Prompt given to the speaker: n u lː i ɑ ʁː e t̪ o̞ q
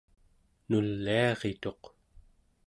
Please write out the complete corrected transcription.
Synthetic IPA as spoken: n u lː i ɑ ʁ e t̪ o̞ q